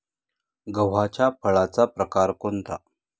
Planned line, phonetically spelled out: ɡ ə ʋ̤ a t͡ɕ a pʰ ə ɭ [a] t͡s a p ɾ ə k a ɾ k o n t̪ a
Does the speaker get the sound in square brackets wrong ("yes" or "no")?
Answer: no